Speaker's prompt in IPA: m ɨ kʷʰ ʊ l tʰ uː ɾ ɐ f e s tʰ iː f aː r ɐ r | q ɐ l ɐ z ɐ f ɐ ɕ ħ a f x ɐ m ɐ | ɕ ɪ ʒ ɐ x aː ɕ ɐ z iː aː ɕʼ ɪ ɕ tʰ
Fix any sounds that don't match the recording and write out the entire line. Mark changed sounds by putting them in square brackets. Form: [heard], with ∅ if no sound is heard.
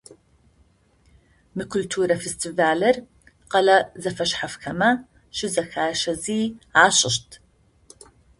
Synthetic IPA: m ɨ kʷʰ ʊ l tʰ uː ɾ ɐ f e s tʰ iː [v] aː [l] ɐ r | q ɐ l ɐ z ɐ f ɐ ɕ ħ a f x ɐ m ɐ | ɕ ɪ [z] ɐ x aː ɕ ɐ z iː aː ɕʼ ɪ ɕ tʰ

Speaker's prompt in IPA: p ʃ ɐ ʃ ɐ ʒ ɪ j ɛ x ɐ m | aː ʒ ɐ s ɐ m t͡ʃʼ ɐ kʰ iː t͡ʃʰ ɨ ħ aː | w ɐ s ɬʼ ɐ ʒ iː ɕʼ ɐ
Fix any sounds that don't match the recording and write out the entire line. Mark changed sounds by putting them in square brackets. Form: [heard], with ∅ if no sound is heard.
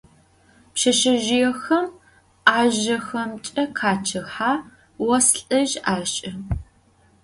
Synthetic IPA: p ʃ ɐ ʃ ɐ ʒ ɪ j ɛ x ɐ m | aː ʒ ɐ [x] ɐ m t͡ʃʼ ɐ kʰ [aː] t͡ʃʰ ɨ ħ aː | w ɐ s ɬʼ ɐ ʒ [aː] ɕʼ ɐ

